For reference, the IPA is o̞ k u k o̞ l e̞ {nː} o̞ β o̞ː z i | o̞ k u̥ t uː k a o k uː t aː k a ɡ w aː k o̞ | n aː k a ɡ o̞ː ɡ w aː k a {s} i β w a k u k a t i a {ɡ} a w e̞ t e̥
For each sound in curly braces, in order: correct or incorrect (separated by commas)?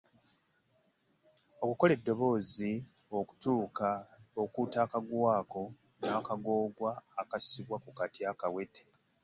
incorrect, correct, incorrect